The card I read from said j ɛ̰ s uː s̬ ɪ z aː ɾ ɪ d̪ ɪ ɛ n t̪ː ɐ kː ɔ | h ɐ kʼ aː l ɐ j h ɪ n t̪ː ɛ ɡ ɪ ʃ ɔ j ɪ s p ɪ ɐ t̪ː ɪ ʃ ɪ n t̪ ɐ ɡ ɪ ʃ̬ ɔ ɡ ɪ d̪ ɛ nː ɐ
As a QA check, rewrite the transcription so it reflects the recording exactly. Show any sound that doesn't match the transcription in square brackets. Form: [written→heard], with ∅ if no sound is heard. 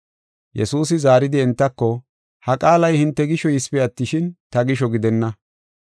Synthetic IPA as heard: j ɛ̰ s uː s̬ ɪ z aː ɾ ɪ d̪ ɪ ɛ n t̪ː ɐ kː ɔ | h ɐ kʼ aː l ɐ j h ɪ n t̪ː ɛ ɡ ɪ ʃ ɔ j ɪ s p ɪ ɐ t̪ː ɪ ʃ ɪ n t̪ ɐ ɡ ɪ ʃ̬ ɔ ɡ ɪ d̪ ɛ nː ɐ